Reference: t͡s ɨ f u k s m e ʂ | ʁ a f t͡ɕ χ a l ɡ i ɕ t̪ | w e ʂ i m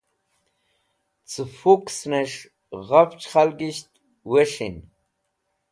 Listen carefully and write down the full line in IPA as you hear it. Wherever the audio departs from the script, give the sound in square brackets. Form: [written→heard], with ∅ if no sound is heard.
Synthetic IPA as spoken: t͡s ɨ f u k s [m→n] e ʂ | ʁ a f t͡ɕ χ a l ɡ i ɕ t̪ | w e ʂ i [m→n]